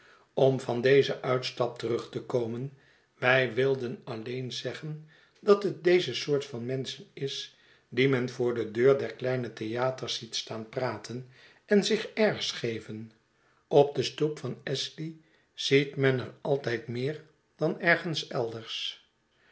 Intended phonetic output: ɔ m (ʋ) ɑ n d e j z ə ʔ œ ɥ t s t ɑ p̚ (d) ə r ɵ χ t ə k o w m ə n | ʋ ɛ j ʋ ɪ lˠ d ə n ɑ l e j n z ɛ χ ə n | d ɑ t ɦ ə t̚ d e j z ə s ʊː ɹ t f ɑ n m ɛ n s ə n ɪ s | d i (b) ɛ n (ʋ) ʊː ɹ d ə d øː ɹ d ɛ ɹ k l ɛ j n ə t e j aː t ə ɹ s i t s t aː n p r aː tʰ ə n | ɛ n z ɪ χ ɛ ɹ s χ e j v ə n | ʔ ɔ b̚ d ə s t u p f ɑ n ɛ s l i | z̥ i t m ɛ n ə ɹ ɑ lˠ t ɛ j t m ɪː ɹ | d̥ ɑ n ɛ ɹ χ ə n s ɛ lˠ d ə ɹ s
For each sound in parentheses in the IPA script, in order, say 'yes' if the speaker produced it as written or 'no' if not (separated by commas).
no, no, no, no